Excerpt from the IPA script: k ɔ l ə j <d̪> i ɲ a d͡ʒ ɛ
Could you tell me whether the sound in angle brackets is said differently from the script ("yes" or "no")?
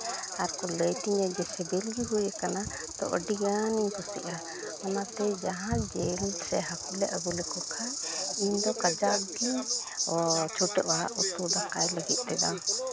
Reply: yes